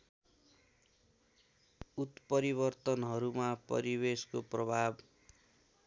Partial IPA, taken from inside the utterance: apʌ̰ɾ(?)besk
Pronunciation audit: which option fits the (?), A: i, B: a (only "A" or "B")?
A